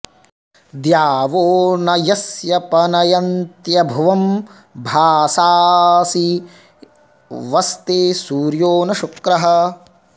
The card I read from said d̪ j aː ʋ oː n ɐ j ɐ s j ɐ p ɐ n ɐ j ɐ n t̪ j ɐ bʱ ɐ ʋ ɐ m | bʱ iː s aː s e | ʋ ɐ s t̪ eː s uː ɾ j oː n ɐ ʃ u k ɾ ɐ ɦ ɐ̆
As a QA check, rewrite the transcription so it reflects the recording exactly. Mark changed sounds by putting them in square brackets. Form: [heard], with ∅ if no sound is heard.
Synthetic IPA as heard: d̪ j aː ʋ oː n ɐ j ɐ s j ɐ p ɐ n ɐ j ɐ n t̪ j ɐ bʱ ɐ ʋ ɐ m | bʱ [aː] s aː s [i] | ʋ ɐ s t̪ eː s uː ɾ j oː n ɐ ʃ u k ɾ ɐ ɦ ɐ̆